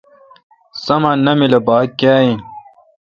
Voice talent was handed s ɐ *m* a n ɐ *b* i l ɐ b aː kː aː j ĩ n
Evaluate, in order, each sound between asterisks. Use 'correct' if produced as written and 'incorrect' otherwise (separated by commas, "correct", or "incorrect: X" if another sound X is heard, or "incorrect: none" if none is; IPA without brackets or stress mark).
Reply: correct, incorrect: m